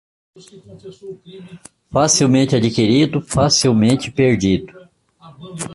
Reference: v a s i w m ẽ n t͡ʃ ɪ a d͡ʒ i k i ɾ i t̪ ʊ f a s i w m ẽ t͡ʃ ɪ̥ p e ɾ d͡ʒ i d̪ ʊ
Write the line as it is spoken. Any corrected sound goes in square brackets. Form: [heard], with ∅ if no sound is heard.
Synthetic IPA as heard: [f] a s i w m ẽ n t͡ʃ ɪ a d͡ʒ i k i ɾ i [d̪] ʊ f a s i w m ẽ t͡ʃ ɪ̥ p e ɾ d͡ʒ i d̪ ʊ